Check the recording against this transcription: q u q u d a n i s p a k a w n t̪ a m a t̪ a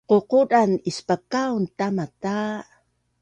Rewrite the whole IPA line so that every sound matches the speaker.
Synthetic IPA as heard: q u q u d a n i s p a k a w n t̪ a m a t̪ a